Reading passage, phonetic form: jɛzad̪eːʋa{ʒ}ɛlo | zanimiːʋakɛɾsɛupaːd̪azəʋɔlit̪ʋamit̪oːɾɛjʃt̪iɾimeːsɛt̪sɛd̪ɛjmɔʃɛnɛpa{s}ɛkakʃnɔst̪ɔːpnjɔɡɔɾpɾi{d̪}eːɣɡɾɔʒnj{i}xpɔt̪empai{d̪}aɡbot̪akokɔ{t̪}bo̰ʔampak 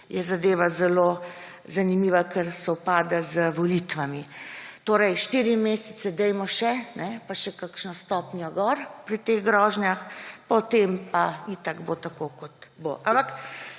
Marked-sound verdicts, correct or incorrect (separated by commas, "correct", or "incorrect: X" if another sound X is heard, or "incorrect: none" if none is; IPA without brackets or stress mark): incorrect: z, incorrect: ʃ, incorrect: t̪, incorrect: a, incorrect: t̪, correct